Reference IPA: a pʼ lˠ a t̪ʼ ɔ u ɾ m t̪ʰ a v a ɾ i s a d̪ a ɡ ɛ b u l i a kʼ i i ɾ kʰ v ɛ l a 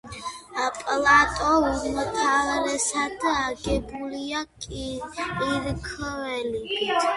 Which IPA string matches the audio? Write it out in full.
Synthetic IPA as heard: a pʼ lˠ a t̪ʼ ɔ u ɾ m t̪ʰ a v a ɾ ɛ s a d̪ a ɡ ɛ b u l i a kʼ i i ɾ kʰ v ɛ l i

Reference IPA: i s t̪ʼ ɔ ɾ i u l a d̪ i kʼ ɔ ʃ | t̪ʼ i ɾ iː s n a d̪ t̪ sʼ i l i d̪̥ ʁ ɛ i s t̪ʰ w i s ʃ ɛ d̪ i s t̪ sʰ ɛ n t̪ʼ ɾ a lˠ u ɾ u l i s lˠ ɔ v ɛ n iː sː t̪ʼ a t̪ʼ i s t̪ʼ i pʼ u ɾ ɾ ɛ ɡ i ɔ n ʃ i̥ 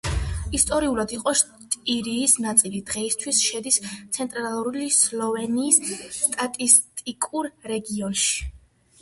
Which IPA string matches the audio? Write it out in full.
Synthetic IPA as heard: i s t̪ʼ ɔ ɾ i u l a d̪ i qʼ ɔ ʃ | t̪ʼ i ɾ iː s n a t̪ sʼ i l i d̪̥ ʁ ɛ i s t̪ʰ w i s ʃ ɛ d̪ i s t̪ sʰ ɛ n t̪ʼ ɾ a lˠ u ɾ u l i s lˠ ɔ v ɛ n iː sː t̪ʼ a t̪ʼ i s t̪ʼ i kʼ u ɾ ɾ ɛ ɡ i ɔ n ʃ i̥

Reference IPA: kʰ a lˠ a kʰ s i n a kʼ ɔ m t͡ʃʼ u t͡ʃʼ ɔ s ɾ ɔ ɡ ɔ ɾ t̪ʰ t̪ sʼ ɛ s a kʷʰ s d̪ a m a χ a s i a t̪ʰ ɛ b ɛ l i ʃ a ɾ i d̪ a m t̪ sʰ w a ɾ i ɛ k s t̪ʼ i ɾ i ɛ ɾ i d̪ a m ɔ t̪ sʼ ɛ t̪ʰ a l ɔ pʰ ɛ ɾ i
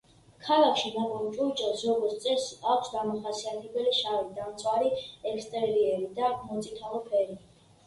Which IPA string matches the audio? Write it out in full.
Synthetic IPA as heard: kʰ a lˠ a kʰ ʃ i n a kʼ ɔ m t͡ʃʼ u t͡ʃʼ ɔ s ɾ ɔ ɡ ɔ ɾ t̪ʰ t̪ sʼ ɛ s a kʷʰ s d̪ a m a χ a s i a t̪ʰ ɛ b ɛ l i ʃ a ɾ i d̪ a m t̪ sʰ w a ɾ i ɛ k s t̪ʼ ɛ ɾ i ɛ ɾ i d̪ a m ɔ t̪ sʼ i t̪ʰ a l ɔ pʰ ɛ ɾ i

